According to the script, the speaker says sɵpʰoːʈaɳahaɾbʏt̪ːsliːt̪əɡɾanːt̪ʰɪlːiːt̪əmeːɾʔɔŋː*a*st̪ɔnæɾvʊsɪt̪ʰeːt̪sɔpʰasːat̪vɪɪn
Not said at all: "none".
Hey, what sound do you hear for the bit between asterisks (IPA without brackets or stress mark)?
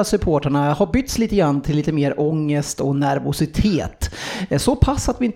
ə